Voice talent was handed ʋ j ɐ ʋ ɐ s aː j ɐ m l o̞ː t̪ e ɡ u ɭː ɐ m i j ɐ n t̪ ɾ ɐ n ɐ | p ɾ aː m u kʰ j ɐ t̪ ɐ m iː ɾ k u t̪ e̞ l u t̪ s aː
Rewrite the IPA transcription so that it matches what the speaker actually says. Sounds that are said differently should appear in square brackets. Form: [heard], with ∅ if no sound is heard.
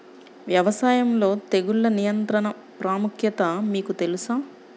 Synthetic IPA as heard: ʋ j ɐ ʋ ɐ s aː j ɐ m l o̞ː t̪ e ɡ u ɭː ɐ [n] i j ɐ n t̪ ɾ ɐ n ɐ | p ɾ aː m u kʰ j ɐ t̪ ɐ m iː [∅] k u t̪ e̞ l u [∅] s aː